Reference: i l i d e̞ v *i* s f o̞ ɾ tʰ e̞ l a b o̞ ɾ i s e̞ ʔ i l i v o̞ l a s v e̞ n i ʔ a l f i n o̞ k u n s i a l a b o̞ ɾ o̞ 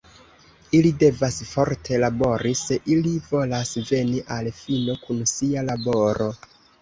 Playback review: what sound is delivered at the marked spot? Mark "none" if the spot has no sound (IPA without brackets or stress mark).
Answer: a